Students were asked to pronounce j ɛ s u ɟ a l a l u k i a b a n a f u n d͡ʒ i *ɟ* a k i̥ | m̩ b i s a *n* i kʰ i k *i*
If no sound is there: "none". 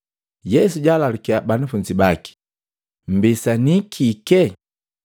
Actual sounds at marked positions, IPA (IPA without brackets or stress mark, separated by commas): b, n, ɛ